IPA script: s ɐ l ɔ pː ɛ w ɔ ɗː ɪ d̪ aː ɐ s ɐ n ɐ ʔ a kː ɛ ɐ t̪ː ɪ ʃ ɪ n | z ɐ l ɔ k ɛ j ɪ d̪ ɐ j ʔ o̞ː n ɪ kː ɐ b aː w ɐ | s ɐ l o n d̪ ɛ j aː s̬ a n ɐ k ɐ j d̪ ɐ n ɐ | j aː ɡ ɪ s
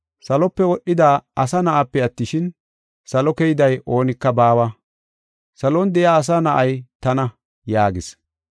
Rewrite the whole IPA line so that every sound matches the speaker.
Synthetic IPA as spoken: s ɐ l ɔ pː ɛ w ɔ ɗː ɪ d̪ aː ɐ s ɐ n ɐ ʔ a pː ɛ ɐ t̪ː ɪ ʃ ɪ n | s ɐ l ɔ k ɛ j ɪ d̪ ɐ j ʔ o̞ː n ɪ kː ɐ b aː w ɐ | s ɐ l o n d̪ ɛ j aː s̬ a n ɐ ʔ ɐ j t̪ ɐ n ɐ | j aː ɡ ɪ s